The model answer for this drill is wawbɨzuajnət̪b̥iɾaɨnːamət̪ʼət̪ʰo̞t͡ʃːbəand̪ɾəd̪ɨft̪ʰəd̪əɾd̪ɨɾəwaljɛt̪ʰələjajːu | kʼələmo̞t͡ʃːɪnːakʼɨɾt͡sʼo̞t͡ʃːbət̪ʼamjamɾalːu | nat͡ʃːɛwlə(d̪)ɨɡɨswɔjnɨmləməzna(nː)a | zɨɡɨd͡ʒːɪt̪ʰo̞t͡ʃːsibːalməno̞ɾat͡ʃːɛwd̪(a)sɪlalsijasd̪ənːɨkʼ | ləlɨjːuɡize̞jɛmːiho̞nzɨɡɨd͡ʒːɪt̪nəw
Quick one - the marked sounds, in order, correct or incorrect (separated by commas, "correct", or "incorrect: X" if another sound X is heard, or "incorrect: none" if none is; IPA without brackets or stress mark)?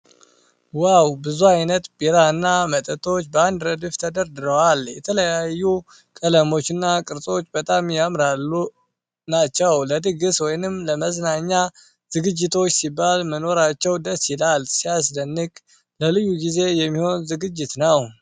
correct, incorrect: ɲː, incorrect: ə